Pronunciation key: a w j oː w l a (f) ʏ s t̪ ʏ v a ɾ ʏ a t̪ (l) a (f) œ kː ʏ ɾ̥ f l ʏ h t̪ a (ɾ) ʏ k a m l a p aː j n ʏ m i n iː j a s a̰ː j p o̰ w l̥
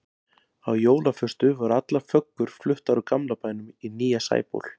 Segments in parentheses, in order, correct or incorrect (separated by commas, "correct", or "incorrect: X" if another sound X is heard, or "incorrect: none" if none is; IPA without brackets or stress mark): correct, correct, correct, correct